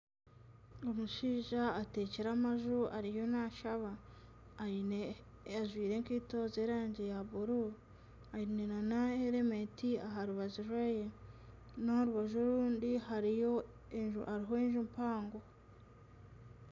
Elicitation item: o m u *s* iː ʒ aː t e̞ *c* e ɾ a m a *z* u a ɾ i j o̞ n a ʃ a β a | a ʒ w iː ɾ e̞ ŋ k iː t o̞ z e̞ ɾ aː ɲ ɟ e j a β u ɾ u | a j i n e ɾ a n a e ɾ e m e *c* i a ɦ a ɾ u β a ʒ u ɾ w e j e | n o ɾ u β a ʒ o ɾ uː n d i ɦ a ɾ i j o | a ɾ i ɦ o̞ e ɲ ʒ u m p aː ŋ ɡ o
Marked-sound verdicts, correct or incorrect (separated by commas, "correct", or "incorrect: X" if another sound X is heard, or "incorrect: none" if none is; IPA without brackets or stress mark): incorrect: ʃ, correct, incorrect: ʒ, incorrect: t